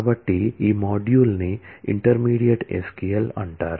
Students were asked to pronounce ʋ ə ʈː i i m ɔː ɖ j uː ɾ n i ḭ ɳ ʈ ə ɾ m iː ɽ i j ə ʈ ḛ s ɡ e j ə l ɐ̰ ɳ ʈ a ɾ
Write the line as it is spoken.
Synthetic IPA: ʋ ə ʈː i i m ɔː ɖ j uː l n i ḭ ɳ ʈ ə ɾ m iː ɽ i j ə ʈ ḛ s k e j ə l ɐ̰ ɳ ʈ a ɾ